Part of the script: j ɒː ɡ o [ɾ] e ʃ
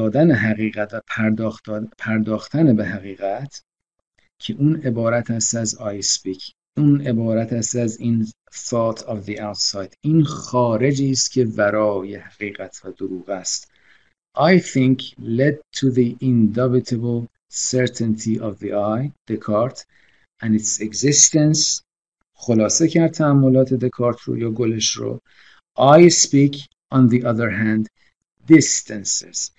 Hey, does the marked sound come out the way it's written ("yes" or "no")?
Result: no